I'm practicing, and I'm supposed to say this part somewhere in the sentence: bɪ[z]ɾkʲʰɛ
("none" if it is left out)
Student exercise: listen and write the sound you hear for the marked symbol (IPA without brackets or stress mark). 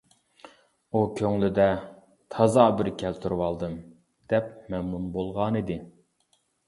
none